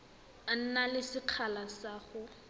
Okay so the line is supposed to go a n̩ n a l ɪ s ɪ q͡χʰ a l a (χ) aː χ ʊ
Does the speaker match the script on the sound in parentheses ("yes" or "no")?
no